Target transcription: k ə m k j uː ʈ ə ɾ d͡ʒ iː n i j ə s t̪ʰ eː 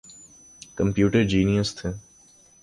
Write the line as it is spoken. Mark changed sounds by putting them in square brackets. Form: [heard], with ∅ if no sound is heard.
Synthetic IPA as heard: k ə m [p] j uː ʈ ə ɾ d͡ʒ iː n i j ə s t̪ʰ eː